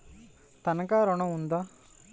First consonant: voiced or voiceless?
voiceless